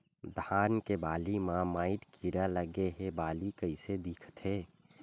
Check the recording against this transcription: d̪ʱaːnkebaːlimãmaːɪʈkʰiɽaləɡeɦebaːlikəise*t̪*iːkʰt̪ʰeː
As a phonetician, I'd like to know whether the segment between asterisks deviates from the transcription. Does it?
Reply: yes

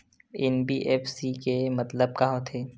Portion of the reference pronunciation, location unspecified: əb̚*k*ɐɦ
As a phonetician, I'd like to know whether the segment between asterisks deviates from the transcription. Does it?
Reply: no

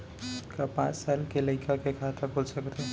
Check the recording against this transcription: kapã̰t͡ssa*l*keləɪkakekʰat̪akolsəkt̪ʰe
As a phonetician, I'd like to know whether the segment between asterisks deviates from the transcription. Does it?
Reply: no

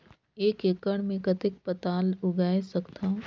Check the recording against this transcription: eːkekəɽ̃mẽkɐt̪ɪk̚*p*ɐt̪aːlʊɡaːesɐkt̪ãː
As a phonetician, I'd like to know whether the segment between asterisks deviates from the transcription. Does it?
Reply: no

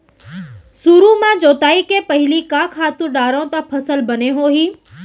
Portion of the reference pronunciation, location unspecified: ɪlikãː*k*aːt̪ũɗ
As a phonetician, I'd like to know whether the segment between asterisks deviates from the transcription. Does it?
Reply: yes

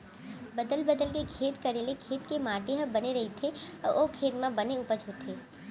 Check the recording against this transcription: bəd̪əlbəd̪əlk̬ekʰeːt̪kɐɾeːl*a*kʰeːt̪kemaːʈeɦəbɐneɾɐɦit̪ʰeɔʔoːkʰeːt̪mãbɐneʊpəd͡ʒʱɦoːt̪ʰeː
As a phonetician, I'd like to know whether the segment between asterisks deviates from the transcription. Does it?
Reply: yes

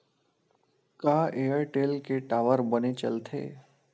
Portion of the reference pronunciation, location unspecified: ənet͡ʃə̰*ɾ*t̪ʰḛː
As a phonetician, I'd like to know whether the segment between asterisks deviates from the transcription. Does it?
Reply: yes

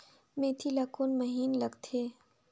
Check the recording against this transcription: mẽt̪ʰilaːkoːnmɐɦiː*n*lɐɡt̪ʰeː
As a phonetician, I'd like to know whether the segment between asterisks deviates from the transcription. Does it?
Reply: no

